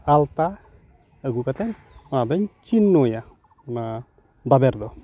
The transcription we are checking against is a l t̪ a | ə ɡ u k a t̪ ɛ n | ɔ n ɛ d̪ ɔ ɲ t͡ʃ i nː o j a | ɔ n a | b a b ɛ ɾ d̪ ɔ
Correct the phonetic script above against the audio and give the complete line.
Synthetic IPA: a l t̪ a | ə ɡ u k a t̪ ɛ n | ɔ n a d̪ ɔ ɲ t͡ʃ i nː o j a | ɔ n a | b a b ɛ ɾ d̪ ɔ